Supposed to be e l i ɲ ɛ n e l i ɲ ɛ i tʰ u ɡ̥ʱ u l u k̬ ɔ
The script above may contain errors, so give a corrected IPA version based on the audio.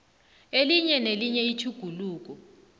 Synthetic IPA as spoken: e l i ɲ ɛ n e l i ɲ ɛ i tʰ u ɡ̥ʱ u l uː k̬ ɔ